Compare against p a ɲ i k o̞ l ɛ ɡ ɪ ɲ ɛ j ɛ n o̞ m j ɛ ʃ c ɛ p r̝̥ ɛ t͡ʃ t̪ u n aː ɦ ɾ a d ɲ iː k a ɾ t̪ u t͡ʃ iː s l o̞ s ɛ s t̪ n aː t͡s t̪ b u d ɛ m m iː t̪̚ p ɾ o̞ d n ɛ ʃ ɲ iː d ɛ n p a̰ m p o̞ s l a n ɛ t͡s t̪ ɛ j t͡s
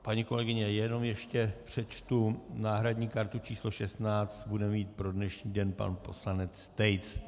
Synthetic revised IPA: p a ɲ i k o̞ l ɛ ɡ ɪ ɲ ɛ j ɛ n o̞ m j ɛ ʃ c ɛ p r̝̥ ɛ t͡ʃ t̪ u n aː ɦ ɾ a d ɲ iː k a ɾ t̪ u t͡ʃ iː s l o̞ ʃ ɛ s t̪ n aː t͡s t̪ b u d ɛ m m iː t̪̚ p ɾ o̞ d n ɛ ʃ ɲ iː d ɛ n p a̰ n p o̞ s l a n ɛ t͡s t̪ ɛ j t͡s